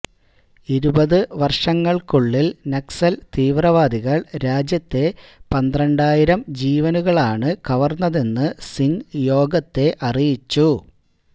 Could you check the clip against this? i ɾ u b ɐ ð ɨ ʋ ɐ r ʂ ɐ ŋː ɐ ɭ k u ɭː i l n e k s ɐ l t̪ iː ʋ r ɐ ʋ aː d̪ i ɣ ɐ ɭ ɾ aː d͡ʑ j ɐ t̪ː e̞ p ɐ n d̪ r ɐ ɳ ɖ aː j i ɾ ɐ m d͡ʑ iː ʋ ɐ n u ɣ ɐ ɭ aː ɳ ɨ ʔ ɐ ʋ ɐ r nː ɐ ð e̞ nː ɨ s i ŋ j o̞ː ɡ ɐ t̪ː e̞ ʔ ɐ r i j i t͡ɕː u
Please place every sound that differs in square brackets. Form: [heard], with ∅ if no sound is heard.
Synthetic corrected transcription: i ɾ u b ɐ ð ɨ ʋ ɐ r ʂ ɐ ŋː ɐ ɭ k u ɭː i l n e k s ɐ l t̪ iː ʋ r ɐ ʋ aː d̪ i ɣ ɐ ɭ ɾ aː d͡ʑ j ɐ t̪ː e̞ p ɐ n d̪ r ɐ ɳ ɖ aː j i ɾ ɐ m d͡ʑ iː ʋ ɐ n u ɣ ɐ ɭ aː ɳ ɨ [k] ɐ ʋ ɐ r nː ɐ ð e̞ nː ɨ s i ŋ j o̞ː ɡ ɐ t̪ː e̞ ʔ ɐ r i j i t͡ɕː u

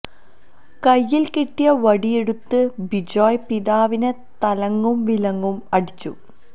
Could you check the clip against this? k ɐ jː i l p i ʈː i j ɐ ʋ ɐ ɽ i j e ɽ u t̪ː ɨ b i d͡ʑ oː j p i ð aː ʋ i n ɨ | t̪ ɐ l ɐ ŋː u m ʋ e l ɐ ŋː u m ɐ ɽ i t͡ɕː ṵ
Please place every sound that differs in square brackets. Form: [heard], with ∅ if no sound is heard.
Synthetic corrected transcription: k ɐ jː i l [k] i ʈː i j ɐ ʋ ɐ ɽ i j e ɽ u t̪ː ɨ b i d͡ʑ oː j p i ð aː ʋ i n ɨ | t̪ ɐ l ɐ ŋː u m ʋ [i] l ɐ ŋː u m ɐ ɽ i t͡ɕː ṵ

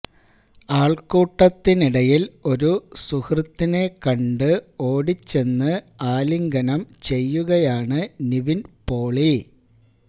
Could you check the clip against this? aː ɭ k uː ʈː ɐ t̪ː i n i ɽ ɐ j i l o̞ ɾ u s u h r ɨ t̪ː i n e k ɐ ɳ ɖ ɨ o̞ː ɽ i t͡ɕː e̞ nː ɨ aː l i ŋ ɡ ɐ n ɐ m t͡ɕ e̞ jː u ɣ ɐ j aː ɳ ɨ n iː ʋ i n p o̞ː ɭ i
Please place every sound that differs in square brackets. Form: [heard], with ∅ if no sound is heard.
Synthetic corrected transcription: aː ɭ k uː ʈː ɐ t̪ː i n i ɽ ɐ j i l o̞ ɾ u s u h r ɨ t̪ː i n e k ɐ ɳ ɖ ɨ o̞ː ɽ i t͡ɕː e̞ nː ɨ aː l i ŋ ɡ ɐ n ɐ m t͡ɕ e̞ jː u ɣ ɐ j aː ɳ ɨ n [i] ʋ i n p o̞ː ɭ i

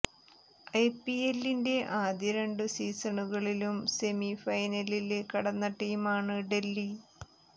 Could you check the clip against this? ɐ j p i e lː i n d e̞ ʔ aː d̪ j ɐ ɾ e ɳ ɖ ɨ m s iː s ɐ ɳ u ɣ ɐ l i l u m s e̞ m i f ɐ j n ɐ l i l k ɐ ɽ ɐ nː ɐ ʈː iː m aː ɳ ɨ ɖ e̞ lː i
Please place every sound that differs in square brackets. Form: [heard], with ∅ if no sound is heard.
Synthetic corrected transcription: ɐ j p i e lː i n d e̞ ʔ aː d̪ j ɐ ɾ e ɳ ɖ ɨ [∅] s iː s ɐ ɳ u ɣ ɐ [ɭ] i l u m s e̞ m i f ɐ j n ɐ l i l k ɐ ɽ ɐ nː ɐ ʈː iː m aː ɳ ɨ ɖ e̞ lː i

